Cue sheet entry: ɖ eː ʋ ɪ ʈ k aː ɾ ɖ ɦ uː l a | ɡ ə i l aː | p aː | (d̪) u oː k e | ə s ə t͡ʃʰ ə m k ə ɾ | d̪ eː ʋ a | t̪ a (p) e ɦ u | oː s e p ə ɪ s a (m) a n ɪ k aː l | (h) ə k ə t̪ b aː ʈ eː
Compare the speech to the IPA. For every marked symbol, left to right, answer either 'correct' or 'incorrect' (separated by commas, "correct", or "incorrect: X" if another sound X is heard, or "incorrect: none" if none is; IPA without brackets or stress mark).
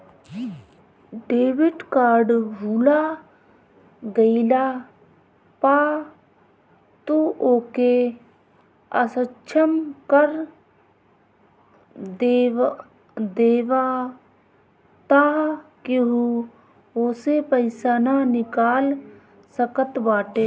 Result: incorrect: t̪, incorrect: k, incorrect: n, incorrect: s